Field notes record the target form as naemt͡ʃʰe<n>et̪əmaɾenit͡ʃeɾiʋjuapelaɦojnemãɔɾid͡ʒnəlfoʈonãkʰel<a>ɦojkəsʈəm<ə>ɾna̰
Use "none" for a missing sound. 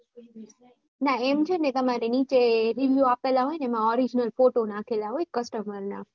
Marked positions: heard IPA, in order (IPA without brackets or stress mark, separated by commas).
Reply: n, a, ə